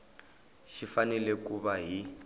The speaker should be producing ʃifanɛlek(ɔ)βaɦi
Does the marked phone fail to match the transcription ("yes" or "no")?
yes